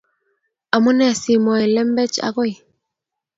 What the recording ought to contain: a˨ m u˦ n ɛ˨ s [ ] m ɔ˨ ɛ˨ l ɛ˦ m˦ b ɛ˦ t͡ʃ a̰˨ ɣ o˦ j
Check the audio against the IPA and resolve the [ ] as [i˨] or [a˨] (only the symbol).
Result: i˨